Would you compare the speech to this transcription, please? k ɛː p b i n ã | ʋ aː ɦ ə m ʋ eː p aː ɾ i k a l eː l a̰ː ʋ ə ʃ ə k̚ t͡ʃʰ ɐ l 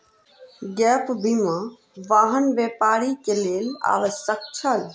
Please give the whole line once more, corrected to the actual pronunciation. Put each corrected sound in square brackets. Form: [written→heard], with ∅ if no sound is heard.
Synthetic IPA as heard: [k→ɡ] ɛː p b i [n→m] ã | ʋ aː ɦ ə [m→n] ʋ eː p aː ɾ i k [a→e] l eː l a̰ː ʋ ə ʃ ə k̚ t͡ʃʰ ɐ l